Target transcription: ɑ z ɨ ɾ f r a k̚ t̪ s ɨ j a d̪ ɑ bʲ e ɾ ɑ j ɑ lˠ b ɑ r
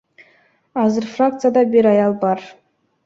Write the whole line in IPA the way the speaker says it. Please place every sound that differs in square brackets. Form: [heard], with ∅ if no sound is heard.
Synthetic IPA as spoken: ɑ z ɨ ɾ f r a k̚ t̪ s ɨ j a d̪ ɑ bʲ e ɾ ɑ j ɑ lˠ b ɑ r